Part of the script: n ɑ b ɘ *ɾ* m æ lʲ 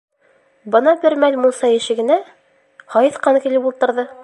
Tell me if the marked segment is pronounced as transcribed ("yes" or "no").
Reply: yes